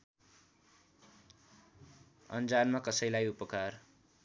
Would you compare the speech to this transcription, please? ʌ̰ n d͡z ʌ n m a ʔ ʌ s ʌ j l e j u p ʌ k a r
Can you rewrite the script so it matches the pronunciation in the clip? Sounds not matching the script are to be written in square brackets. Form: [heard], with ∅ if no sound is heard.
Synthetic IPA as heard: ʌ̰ n d͡z [a] n m a [k] ʌ s ʌ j l [a] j u p ʌ k a r